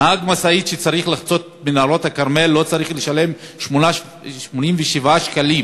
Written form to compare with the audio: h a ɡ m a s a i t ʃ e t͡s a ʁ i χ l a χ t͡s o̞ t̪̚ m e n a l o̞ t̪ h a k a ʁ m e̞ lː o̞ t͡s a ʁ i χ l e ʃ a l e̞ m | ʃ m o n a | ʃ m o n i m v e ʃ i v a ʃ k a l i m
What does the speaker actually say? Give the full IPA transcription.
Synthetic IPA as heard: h a ɡ m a s a i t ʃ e t͡s a ʁ i χ l a χ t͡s o̞ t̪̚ m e n a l o̞ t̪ h a k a ʁ m e̞ lː o̞ t͡s a ʁ i χ l e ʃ a l e̞ m | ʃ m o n a | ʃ m o n i m v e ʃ i v a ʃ k a l i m